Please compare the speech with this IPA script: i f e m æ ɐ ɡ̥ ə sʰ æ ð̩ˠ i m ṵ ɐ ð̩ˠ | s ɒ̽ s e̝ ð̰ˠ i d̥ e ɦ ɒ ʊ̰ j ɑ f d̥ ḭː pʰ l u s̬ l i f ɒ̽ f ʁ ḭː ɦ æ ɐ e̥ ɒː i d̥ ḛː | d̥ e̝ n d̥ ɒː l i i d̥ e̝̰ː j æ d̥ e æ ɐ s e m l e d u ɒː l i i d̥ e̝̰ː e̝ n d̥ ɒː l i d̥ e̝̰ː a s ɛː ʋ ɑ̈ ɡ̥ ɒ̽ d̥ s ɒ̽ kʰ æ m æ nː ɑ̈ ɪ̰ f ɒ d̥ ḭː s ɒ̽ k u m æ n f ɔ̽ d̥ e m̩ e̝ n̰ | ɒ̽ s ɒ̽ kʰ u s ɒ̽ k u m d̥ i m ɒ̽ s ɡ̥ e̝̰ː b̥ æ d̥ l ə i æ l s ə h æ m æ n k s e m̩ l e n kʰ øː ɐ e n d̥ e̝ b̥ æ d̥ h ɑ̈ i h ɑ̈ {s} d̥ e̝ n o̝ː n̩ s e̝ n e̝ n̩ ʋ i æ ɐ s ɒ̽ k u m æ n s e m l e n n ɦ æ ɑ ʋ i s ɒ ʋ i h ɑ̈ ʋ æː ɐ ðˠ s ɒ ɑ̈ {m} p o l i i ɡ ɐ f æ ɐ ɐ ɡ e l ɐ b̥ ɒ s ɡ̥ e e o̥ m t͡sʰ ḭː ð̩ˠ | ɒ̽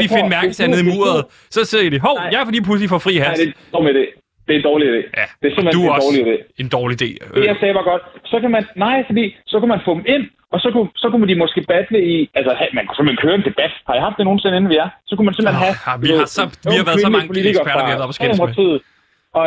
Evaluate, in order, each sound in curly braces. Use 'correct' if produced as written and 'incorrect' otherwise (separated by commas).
incorrect, incorrect